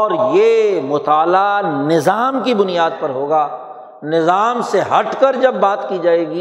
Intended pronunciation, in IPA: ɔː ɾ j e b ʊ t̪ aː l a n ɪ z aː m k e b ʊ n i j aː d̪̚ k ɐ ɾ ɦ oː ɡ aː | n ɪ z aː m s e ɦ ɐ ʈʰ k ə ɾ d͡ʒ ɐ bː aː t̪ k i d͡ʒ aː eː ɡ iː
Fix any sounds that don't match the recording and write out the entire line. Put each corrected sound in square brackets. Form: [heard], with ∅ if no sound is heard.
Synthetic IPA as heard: ɔː ɾ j e [m] ʊ t̪ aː l a n ɪ z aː m k [i] b ʊ n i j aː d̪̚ [p] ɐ ɾ ɦ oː ɡ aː | n ɪ z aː m s e ɦ ɐ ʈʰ k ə ɾ d͡ʒ ɐ bː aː t̪ k i d͡ʒ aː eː ɡ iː